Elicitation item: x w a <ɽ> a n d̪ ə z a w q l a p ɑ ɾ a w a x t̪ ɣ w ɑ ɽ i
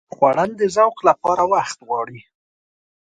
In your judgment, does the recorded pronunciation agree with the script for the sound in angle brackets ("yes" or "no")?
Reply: yes